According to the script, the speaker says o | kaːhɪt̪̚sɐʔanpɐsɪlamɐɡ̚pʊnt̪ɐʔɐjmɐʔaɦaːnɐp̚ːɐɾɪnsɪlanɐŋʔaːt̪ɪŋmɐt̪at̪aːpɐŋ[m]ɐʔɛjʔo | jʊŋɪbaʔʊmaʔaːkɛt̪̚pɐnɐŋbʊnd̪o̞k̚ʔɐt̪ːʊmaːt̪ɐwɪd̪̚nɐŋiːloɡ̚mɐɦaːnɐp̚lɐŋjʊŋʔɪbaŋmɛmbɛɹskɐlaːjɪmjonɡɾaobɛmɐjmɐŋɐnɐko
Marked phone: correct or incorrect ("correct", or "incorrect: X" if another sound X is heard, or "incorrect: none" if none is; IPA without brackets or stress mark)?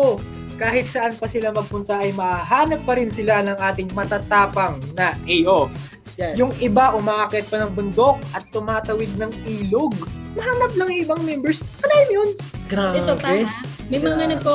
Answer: incorrect: n